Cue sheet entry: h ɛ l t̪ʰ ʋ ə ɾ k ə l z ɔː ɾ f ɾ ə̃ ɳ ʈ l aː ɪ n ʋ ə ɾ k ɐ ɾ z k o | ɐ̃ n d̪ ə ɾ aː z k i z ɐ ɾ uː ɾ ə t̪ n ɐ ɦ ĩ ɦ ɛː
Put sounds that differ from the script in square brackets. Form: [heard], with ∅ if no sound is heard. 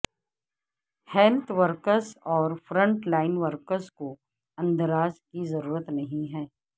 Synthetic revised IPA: h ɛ l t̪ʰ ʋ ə ɾ k ə [ɾ] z ɔː ɾ f ɾ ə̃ ɳ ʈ l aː ɪ n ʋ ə ɾ k [ə] ɾ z k o | ɐ̃ n d̪ ə ɾ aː z k i z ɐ ɾ uː ɾ ə t̪ n ɐ ɦ ĩ ɦ ɛː